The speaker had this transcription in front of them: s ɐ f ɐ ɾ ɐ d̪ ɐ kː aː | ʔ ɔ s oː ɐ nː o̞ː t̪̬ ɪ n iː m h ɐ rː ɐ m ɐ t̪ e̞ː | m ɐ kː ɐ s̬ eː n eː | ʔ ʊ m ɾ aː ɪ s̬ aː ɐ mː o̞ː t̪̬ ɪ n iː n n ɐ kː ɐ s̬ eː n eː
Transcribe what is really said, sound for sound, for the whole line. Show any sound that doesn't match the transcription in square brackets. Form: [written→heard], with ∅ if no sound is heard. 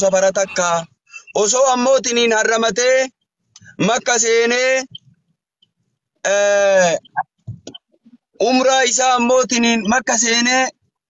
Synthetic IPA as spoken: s ɐ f ɐ ɾ ɐ [d̪→t̪] ɐ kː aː | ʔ ɔ s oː ɐ [nː→mː] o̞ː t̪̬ ɪ n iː [m→n] h ɐ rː ɐ m ɐ t̪ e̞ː | m ɐ kː ɐ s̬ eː n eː | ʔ ʊ m ɾ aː ɪ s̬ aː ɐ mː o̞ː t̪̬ ɪ n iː n [n→m] ɐ kː ɐ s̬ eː n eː